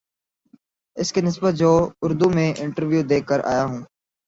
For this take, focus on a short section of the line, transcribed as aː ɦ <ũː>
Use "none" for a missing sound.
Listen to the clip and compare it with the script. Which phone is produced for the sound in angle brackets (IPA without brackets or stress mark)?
ũː